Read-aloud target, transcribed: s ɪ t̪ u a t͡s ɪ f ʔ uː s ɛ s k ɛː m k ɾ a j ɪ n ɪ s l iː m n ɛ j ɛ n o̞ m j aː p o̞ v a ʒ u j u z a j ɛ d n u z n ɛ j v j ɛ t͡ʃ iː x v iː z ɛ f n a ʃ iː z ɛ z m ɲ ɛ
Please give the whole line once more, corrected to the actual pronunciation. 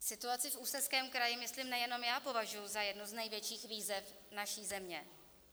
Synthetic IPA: s ɪ t̪ u a t͡s ɪ f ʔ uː s ɛ s k ɛː m k ɾ a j ɪ m ɪ s l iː m n ɛ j ɛ n o̞ m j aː p o̞ v a ʒ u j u z a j ɛ d n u z n ɛ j v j ɛ t͡ʃ iː x v iː z ɛ f n a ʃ iː z ɛ m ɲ ɛ